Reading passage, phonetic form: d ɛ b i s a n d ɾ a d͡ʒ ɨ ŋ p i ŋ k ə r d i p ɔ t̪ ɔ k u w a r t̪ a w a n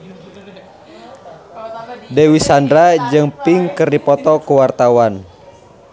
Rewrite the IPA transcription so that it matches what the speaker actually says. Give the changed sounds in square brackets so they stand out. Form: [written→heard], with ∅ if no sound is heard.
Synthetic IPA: d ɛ [b→w] i s a n d ɾ a d͡ʒ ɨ ŋ p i ŋ k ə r d i p ɔ t̪ ɔ k u w a r t̪ a w a n